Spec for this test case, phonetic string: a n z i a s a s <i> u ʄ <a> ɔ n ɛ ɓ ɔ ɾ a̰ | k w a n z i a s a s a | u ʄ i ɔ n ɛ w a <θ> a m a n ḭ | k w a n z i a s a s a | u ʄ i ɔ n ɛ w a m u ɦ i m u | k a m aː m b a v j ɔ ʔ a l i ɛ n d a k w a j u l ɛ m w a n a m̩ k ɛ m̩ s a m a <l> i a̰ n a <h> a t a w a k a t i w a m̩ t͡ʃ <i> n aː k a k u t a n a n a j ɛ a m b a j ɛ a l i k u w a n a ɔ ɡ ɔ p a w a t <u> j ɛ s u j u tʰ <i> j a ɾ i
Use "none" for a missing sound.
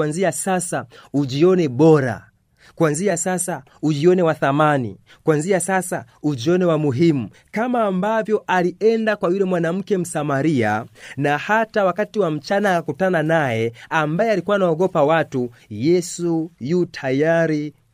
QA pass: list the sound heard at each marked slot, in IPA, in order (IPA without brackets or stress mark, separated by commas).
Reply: a, i, θ, ɾ, h, a, u, a